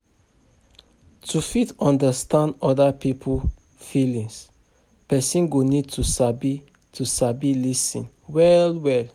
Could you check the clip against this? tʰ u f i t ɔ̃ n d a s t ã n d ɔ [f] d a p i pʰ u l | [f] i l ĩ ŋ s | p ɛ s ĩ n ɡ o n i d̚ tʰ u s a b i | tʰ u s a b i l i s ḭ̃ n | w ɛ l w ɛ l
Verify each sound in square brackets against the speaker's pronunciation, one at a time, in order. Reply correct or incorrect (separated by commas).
incorrect, correct